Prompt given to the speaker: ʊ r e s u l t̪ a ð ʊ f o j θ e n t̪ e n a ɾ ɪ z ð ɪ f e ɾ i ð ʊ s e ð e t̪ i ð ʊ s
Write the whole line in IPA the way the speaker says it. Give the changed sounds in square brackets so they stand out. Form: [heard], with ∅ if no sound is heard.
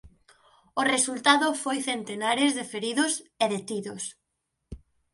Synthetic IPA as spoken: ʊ r e s u l t̪ a ð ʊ f o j θ e n t̪ e n a ɾ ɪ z ð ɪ f e ɾ i ð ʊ s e ð e t̪ i ð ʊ s